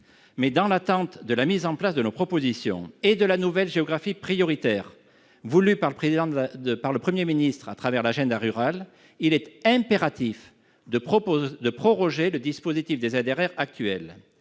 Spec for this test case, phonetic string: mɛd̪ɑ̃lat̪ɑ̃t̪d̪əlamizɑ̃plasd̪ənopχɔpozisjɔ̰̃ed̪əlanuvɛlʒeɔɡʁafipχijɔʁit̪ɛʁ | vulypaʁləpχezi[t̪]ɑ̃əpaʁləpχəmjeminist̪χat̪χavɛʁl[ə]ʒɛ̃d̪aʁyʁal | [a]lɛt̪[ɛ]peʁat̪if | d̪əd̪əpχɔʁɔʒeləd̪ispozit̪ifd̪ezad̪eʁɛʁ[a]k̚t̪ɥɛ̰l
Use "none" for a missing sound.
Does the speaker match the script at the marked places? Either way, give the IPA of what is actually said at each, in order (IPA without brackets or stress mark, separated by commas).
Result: d̪, a, i, ɛ̃, a